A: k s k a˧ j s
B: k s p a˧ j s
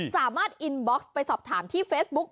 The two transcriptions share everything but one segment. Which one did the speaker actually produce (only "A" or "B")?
B